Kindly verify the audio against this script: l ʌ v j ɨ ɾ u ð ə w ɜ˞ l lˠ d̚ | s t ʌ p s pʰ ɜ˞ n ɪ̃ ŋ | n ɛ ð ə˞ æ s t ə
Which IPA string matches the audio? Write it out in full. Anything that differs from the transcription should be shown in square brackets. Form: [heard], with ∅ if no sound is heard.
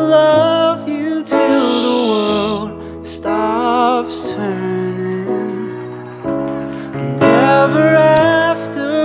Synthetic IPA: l ʌ v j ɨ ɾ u ð ə w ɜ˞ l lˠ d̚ | s t [ɑ] p s [tʰ] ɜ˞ n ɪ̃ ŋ | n ɛ [v] ə˞ æ [f] t ə